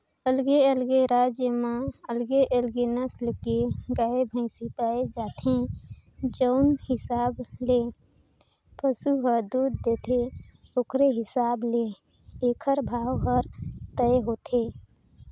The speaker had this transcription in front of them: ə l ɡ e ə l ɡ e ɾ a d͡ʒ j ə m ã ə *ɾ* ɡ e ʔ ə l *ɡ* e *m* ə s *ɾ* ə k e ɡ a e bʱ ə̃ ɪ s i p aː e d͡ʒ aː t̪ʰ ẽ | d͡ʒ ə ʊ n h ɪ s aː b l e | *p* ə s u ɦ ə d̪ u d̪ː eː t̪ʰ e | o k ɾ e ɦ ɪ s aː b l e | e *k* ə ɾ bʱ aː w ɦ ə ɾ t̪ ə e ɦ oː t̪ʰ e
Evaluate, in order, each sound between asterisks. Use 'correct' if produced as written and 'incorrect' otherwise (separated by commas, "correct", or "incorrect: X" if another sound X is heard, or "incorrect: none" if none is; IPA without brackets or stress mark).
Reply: incorrect: l, correct, incorrect: n, incorrect: l, correct, incorrect: kʰ